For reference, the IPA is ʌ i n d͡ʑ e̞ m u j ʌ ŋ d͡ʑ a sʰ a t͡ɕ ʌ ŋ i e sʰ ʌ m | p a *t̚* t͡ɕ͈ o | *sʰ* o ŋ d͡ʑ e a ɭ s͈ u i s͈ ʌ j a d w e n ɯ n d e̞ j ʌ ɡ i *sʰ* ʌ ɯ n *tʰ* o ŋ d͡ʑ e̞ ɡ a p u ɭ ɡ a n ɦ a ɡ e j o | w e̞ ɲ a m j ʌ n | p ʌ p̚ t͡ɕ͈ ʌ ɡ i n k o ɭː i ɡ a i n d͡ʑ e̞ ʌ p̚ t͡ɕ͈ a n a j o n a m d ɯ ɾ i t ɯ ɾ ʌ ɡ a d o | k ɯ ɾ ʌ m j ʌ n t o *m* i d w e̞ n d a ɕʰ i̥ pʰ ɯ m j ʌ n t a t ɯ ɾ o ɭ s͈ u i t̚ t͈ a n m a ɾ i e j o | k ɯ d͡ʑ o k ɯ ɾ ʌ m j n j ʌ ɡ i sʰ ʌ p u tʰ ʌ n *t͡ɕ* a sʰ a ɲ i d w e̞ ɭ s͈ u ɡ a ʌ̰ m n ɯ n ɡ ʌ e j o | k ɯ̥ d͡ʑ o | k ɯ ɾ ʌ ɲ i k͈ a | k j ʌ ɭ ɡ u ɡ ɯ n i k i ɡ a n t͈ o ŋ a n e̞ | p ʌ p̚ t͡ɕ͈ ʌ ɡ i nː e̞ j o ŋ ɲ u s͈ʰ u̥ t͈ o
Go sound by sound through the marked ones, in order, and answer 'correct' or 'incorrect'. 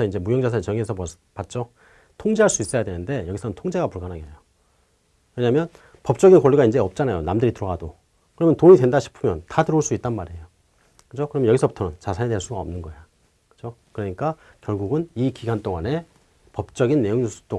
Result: correct, incorrect, correct, correct, incorrect, correct

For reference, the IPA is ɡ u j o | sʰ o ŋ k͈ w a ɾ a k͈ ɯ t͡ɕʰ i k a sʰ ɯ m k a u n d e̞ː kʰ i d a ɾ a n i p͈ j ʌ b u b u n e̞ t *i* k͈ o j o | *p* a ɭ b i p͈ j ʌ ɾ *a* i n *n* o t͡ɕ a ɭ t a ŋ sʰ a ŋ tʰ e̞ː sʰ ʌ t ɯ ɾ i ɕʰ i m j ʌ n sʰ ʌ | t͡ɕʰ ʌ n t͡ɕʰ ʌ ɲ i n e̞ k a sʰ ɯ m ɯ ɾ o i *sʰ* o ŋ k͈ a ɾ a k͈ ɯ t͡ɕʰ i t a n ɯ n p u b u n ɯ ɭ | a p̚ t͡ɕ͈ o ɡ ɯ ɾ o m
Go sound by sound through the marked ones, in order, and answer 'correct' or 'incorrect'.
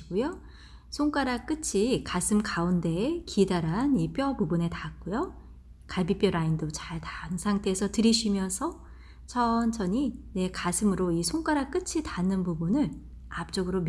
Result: incorrect, incorrect, correct, incorrect, correct

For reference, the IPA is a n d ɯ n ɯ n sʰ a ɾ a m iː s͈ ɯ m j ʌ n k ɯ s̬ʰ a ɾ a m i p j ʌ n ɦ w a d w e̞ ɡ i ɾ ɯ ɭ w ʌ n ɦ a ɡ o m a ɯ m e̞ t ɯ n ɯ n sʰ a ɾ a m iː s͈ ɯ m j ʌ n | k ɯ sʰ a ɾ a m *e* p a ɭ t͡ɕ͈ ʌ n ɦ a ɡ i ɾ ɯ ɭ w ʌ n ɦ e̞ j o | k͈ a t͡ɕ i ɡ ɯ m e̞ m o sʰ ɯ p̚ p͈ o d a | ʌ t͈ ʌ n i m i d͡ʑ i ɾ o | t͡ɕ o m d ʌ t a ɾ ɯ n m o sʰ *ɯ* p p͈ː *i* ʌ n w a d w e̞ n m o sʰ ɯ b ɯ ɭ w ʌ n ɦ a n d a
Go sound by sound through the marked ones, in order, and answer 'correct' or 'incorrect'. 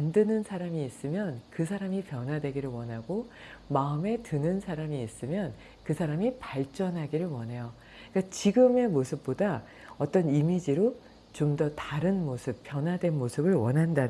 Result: incorrect, correct, incorrect

